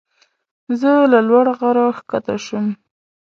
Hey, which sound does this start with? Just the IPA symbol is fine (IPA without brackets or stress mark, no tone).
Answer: z